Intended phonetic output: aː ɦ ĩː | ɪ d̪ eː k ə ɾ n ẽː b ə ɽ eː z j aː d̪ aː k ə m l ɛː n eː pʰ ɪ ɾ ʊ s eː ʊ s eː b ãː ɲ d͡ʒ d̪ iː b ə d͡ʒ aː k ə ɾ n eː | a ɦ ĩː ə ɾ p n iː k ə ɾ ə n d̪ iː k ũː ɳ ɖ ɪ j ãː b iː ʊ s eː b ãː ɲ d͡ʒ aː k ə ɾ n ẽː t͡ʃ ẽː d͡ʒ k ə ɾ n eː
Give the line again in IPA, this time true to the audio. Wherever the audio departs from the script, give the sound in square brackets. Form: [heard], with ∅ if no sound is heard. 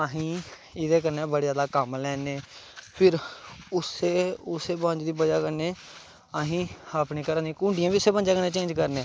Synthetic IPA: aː ɦ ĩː | ɪ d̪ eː k ə ɾ n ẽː b ə ɽ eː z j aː d̪ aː k ə m l ɛː n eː pʰ ɪ ɾ ʊ s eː ʊ s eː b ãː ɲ d͡ʒ d̪ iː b ə d͡ʒ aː k ə ɾ n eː | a ɦ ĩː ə [∅] p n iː k ə ɾ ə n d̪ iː k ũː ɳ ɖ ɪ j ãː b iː ʊ s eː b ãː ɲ d͡ʒ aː k ə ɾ n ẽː t͡ʃ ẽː d͡ʒ k ə ɾ n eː